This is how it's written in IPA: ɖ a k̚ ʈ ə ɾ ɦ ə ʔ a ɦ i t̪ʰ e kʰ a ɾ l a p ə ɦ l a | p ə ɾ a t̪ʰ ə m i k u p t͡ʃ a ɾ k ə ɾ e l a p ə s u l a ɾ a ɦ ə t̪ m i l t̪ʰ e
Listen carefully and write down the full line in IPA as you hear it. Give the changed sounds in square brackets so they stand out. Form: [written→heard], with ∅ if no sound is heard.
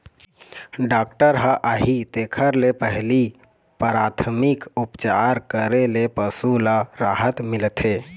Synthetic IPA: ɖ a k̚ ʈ ə ɾ ɦ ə ʔ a ɦ i [t̪ʰ→t̪] e kʰ [a→ə] ɾ l [a→e] p ə ɦ l [a→i] | p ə ɾ a t̪ʰ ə m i k u p t͡ʃ a ɾ k ə ɾ e l [a→e] p ə s u l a ɾ a ɦ ə t̪ m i l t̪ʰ e